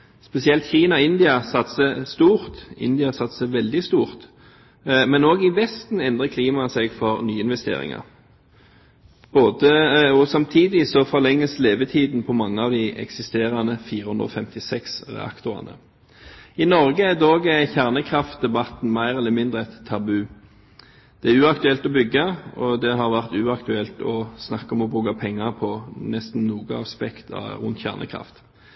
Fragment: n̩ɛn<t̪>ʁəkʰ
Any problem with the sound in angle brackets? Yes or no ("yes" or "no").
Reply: yes